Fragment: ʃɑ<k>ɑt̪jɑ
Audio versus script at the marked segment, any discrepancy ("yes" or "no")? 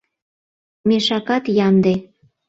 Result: no